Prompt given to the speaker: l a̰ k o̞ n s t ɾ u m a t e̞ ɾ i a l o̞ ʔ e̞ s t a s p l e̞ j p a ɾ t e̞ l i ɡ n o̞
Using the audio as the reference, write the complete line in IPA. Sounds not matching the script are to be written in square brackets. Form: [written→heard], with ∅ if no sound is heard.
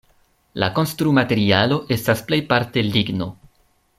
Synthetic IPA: l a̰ k o̞ n s t ɾ u m a t e̞ ɾ i a l o̞ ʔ e̞ s t a s p l e̞ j p a ɾ t e̞ l i ɡ n o̞